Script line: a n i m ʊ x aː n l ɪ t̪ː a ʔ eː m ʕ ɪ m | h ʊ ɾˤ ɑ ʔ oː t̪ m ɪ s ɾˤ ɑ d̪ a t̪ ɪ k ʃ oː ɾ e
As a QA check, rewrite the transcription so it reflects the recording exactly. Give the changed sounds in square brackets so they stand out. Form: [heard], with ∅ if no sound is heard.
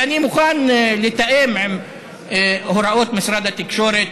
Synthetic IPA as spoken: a n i m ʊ x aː n l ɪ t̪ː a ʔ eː m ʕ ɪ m | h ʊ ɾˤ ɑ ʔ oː t̪ m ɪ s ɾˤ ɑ d̪ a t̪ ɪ k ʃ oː ɾ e